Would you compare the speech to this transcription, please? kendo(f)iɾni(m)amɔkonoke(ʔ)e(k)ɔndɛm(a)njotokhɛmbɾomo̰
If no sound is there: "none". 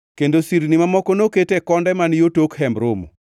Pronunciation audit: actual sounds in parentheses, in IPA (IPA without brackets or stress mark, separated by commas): s, m, t, k, a